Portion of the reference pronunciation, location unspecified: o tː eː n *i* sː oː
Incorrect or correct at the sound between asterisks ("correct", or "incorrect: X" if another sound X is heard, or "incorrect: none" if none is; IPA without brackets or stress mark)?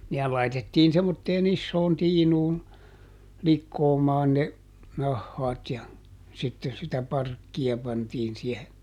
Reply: correct